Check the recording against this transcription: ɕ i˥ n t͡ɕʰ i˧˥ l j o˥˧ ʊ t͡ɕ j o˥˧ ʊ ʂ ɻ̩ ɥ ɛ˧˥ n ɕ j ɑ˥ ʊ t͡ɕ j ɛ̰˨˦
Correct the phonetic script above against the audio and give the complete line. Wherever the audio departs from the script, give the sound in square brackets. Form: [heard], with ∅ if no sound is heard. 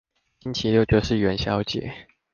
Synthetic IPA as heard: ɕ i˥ n t͡ɕʰ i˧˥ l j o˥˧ ʊ t͡ɕ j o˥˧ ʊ ʂ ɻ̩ ɥ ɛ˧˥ n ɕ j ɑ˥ ʊ t͡ɕ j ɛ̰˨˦